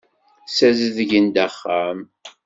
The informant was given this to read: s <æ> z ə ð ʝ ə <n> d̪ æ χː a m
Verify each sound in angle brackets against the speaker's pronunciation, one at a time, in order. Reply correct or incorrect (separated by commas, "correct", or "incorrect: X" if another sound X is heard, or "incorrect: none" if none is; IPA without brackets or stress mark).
correct, correct